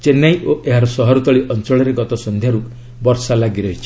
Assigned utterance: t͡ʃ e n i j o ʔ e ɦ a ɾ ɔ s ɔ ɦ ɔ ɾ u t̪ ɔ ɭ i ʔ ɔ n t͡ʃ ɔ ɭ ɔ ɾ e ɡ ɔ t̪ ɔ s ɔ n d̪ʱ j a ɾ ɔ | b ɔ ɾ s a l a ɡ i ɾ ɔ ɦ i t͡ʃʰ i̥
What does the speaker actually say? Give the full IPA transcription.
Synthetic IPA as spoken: t͡ʃ e n a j o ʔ e ɦ a ɾ ɔ s ɔ ɦ ɔ ɾ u t̪ ɔ ɭ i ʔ ɔ n t͡ʃ ɔ ɭ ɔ ɾ e ɡ ɔ t̪ ɔ s ɔ n d̪ʱ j a ɾ u | b ɔ ɾ s a l a ɡ i ɾ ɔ ɦ i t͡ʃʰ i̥